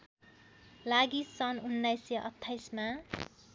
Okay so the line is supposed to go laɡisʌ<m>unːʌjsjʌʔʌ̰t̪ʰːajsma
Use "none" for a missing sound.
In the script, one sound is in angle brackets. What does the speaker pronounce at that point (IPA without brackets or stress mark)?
n